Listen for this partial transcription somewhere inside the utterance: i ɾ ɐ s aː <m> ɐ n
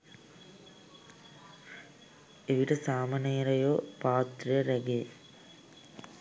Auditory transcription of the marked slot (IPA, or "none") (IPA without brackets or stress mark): m